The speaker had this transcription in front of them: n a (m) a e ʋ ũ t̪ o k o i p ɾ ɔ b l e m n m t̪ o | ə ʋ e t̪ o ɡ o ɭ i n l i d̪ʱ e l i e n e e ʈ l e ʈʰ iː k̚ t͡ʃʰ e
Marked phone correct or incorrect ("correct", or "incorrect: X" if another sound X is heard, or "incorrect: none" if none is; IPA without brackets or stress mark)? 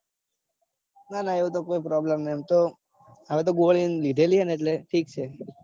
incorrect: n